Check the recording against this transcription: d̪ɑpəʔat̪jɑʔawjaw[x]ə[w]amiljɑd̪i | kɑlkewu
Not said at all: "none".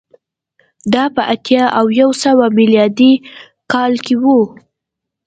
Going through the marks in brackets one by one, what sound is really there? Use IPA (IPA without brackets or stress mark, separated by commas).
s, w